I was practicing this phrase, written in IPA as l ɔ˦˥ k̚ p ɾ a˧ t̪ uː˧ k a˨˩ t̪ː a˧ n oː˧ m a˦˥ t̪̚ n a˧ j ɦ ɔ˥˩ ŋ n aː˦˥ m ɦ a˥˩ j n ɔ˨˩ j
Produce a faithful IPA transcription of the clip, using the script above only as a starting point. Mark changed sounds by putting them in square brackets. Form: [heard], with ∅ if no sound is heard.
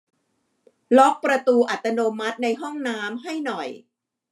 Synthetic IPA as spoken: l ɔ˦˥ k̚ p ɾ a˧ t̪ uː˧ [ʔ] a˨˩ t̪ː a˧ n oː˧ m a˦˥ t̪̚ n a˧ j ɦ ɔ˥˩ ŋ n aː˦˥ m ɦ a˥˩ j n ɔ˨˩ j